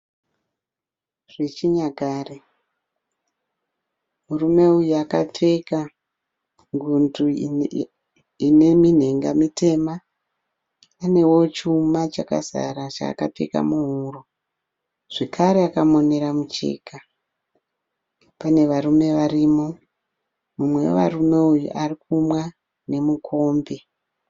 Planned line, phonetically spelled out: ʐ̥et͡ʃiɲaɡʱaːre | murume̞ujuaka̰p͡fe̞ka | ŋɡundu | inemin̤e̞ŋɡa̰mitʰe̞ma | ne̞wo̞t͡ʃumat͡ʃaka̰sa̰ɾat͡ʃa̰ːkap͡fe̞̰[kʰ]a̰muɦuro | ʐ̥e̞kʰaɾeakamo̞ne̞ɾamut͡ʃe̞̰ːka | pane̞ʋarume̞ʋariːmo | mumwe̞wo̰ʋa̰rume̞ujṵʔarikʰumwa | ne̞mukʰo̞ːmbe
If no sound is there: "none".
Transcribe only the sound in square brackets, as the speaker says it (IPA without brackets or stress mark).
k